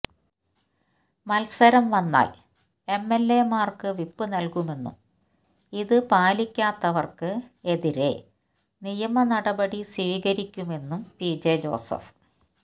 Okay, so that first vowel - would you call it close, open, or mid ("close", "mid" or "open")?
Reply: open